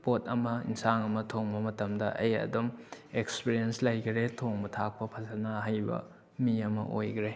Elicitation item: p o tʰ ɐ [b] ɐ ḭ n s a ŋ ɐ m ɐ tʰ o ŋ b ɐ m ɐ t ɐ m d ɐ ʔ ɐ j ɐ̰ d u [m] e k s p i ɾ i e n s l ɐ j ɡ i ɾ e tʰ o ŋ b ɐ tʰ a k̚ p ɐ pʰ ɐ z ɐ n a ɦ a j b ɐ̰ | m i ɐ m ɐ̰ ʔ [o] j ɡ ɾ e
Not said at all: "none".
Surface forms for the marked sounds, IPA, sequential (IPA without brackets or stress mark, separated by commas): m, m, o